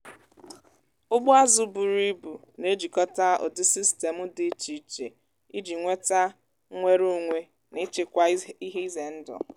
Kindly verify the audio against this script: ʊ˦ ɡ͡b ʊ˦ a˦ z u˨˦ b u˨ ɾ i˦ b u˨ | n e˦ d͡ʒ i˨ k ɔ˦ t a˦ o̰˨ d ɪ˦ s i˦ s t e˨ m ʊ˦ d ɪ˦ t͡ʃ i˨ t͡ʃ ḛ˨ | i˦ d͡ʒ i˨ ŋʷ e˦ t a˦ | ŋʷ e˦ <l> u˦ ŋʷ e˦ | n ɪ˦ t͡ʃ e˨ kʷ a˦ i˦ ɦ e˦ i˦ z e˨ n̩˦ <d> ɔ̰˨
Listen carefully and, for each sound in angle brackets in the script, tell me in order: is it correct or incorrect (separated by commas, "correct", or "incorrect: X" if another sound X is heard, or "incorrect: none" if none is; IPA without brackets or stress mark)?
incorrect: ɾ, correct